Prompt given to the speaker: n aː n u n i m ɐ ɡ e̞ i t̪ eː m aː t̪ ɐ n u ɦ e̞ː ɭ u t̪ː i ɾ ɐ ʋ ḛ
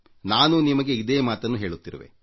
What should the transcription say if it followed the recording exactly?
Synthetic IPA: n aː n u n i m ɐ ɡ e̞ i d̪ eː m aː t̪ ɐ nː u ɦ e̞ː ɭ u t̪ː i ɾ ɐ ʋ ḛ

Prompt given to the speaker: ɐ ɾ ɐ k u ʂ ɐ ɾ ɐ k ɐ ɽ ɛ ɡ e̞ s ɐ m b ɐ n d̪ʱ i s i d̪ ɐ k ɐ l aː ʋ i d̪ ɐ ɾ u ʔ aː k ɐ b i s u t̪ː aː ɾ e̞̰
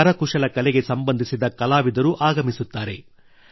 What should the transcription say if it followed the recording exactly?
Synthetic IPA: ɐ ɾ ɐ k u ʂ ɐ l ɐ k ɐ l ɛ ɡ e̞ s ɐ m b ɐ n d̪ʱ i s i d̪ ɐ k ɐ l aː ʋ i d̪ ɐ ɾ u ʔ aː ɡ ɐ m i s u t̪ː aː ɾ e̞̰

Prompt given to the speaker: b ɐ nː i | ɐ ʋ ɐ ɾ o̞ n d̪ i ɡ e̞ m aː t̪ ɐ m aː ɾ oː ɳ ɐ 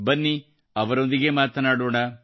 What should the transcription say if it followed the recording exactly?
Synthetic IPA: b ɐ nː i | ɐ ʋ ɐ ɾ o̞ n d̪ i ɡ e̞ m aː t̪ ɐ n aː ɽ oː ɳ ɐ

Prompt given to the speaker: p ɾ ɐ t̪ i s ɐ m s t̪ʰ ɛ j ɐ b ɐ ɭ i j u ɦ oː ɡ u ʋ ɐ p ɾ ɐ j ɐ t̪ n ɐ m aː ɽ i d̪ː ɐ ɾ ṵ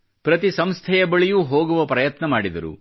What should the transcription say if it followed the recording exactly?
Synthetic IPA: p ɾ ɐ t̪ i s ɐ m s t̪ʰ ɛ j ɐ b ɐ ɭ i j u ɦ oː ɡ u ʋ ɐ p ɾ ɐ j ɐ t̪ n ɐ m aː ɽ i d̪ ɐ ɾ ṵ

